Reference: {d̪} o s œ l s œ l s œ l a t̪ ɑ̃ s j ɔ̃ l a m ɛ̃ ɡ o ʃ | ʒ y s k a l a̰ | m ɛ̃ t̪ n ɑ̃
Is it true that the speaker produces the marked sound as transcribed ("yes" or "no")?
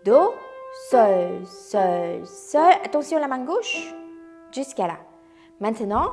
yes